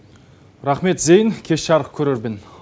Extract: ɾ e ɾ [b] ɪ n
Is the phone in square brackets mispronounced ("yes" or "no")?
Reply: no